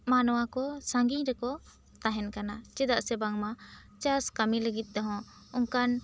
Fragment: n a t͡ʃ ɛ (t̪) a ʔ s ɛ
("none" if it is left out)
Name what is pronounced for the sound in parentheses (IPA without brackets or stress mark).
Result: d̪